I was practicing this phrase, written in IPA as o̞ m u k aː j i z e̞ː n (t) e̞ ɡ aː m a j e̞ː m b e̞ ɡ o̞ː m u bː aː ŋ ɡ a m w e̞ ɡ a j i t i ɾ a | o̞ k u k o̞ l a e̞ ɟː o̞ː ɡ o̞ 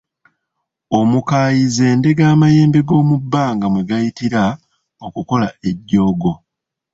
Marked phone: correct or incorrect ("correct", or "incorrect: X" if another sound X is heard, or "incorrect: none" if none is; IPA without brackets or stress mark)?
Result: incorrect: d